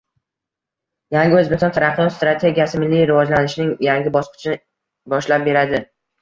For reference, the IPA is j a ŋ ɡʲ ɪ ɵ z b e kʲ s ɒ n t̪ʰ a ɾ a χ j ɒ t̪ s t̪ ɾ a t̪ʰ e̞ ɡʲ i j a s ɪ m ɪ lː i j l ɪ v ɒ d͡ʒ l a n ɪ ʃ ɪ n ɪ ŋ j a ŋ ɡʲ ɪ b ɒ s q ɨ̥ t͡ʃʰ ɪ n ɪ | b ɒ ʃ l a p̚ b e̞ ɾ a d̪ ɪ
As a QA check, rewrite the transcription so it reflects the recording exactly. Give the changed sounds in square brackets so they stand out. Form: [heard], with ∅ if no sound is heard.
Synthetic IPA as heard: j a ŋ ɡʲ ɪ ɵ z b e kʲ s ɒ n t̪ʰ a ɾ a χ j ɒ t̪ s t̪ ɾ a t̪ʰ e̞ ɡʲ i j a s ɪ m ɪ lː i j [ɾ] ɪ v ɒ d͡ʒ l a n ɪ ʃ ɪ n ɪ ŋ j a ŋ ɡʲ ɪ b ɒ s q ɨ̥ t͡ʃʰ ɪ n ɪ | b ɒ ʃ l a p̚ b e̞ ɾ a d̪ ɪ